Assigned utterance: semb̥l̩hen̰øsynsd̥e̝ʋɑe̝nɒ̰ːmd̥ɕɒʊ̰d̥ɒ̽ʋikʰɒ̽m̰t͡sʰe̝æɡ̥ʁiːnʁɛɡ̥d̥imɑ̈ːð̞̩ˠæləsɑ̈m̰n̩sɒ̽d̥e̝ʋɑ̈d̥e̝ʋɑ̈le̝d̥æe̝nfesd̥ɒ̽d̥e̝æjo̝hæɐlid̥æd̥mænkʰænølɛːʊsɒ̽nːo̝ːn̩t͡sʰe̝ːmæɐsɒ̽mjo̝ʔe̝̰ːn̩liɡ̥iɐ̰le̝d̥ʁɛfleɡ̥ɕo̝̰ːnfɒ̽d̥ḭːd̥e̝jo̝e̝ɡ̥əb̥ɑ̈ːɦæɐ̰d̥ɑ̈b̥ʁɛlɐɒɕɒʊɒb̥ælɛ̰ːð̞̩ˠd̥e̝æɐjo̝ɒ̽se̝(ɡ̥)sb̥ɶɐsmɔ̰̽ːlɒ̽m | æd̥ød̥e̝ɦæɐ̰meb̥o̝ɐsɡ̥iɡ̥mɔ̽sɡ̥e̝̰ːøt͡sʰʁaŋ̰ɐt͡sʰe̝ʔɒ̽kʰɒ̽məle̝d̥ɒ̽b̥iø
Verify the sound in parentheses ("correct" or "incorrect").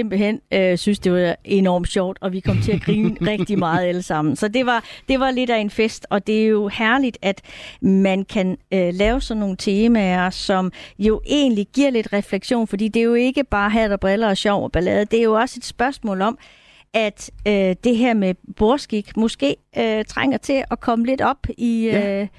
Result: incorrect